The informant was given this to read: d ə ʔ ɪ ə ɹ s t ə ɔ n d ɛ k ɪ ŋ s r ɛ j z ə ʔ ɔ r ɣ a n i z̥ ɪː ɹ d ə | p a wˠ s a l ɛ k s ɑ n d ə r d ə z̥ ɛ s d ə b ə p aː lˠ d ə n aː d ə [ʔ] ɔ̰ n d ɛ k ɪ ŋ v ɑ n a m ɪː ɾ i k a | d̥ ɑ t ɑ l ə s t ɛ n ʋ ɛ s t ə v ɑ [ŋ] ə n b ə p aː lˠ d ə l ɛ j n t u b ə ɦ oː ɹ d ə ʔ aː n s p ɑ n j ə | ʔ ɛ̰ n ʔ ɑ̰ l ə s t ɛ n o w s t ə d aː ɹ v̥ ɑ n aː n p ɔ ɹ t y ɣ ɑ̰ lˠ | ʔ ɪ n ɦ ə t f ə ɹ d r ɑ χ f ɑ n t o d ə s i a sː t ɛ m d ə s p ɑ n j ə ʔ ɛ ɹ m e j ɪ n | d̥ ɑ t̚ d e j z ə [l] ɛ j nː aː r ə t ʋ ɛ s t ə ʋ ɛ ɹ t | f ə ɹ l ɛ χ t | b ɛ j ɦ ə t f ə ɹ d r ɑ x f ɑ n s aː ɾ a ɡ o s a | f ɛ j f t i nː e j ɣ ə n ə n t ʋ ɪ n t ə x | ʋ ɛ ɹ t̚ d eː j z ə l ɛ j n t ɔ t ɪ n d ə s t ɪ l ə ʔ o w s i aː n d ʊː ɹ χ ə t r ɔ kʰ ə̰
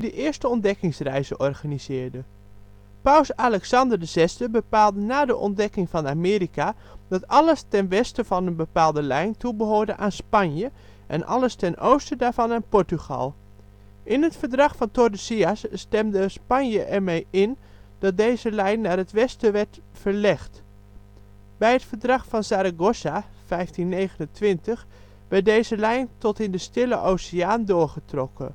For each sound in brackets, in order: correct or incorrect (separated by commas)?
correct, incorrect, correct